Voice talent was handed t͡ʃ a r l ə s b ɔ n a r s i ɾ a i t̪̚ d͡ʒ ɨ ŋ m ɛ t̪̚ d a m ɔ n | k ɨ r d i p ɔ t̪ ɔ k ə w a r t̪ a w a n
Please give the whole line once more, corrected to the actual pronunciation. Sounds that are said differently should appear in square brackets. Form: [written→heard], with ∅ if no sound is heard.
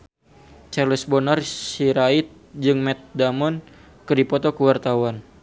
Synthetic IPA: t͡ʃ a r l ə s b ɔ n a r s i ɾ a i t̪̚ d͡ʒ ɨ ŋ m ɛ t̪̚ d a m ɔ n | k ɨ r d i p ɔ t̪ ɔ k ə w a r t̪ a w a n